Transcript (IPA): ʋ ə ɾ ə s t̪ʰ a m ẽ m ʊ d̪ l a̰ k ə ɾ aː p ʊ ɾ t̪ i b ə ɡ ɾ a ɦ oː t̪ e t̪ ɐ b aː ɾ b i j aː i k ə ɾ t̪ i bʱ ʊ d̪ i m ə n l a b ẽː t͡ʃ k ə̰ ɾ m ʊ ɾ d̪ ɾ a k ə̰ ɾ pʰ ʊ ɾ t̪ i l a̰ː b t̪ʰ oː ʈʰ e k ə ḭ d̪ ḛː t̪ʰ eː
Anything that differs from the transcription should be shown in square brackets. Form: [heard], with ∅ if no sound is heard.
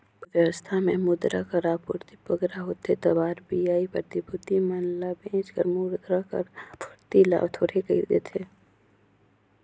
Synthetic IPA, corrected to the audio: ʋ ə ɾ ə s t̪ʰ a m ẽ m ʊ d̪ [ɾ] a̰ k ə ɾ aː p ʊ ɾ t̪ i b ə ɡ ɾ a ɦ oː t̪ e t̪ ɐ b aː ɾ b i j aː i [p] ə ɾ t̪ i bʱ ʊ [t̪] i m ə n l a b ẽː t͡ʃ k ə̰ ɾ m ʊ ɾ d̪ ɾ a k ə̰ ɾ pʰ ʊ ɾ t̪ i l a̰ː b t̪ʰ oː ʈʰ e k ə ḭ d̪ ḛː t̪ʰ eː